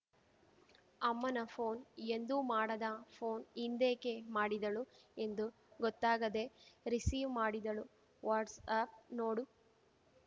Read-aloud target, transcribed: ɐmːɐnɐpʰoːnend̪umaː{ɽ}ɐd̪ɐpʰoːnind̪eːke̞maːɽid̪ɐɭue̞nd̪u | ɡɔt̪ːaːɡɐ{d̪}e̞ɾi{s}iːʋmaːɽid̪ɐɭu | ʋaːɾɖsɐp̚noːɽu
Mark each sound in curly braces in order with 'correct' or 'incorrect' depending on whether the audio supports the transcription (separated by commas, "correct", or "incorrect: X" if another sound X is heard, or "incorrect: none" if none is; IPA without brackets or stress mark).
correct, correct, correct